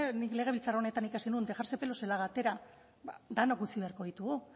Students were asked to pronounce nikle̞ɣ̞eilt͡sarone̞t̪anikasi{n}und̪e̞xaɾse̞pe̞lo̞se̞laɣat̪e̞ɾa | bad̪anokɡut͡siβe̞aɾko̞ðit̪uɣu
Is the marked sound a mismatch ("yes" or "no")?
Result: no